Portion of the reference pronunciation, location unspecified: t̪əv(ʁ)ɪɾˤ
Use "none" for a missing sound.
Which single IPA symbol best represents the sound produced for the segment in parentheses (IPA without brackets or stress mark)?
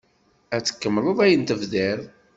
ð